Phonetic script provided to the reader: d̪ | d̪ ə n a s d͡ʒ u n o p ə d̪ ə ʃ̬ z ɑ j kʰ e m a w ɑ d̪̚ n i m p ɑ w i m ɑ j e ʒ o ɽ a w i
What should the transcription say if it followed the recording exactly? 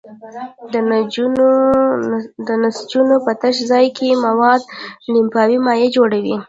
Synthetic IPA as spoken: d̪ | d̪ ə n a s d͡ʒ u n o p ə t̪ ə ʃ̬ z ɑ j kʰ e m a w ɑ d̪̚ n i m p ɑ w i m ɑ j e d͡ʒ o ɽ a w i